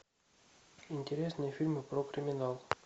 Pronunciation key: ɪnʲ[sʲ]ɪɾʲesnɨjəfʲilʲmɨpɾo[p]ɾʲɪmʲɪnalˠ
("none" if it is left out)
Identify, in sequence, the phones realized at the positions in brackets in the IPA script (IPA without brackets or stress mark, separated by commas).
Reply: tʲ, k